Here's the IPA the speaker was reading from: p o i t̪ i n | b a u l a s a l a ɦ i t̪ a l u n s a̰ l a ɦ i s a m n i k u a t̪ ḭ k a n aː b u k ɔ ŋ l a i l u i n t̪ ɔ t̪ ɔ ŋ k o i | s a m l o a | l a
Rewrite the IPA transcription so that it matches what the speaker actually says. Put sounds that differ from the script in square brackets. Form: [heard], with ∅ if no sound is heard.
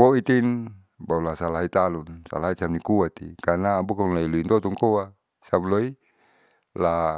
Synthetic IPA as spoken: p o i t̪ i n | b a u l a s a l a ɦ i t̪ a l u n s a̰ l a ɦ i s a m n i k u a t̪ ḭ k a n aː b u k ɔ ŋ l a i l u i n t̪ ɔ t̪ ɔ ŋ k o [a] | s a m l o [i] | l a

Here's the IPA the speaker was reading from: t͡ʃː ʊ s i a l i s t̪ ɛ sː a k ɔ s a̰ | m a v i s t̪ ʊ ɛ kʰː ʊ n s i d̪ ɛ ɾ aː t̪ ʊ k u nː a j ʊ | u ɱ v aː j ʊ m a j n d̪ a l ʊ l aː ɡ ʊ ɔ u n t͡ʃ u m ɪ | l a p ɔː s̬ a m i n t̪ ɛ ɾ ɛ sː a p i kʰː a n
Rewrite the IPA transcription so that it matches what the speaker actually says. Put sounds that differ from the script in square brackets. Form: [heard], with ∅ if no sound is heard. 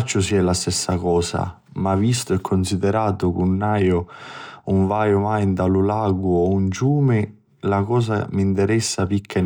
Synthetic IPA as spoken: t͡ʃː ʊ s i [ɛ] l [a] s t̪ ɛ sː a k [ɔː] s a̰ | m a v i s t̪ ʊ ɛ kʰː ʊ n s i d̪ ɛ ɾ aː t̪ ʊ k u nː a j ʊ | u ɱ v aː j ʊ m a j n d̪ a l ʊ l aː ɡ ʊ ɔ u n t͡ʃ [uː] m ɪ | l a [k] ɔː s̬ a m i n t̪ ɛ ɾ ɛ sː a p i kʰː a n

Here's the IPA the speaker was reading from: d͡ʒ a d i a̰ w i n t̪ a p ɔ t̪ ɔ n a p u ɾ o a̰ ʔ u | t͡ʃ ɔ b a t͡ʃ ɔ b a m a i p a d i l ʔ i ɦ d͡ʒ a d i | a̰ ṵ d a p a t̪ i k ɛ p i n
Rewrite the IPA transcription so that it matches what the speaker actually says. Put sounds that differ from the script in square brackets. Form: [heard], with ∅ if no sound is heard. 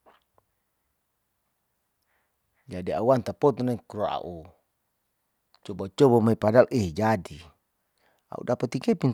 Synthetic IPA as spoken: d͡ʒ a d i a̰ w [a] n t̪ a p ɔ t̪ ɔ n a [k] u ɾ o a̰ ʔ u | t͡ʃ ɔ b a t͡ʃ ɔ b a m a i p a d [a] l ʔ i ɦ d͡ʒ a d i | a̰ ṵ d a p a t̪ i k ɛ p i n

